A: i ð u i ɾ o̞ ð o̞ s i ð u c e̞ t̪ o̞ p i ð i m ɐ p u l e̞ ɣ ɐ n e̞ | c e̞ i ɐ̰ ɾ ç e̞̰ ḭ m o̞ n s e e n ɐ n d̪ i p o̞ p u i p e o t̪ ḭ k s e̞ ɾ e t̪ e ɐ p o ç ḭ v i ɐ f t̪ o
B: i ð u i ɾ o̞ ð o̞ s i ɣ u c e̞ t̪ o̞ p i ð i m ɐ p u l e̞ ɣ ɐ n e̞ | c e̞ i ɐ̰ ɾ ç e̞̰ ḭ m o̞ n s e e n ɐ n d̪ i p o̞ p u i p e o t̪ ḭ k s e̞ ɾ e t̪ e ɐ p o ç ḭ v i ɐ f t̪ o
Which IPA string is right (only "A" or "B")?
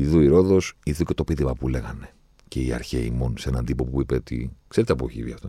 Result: A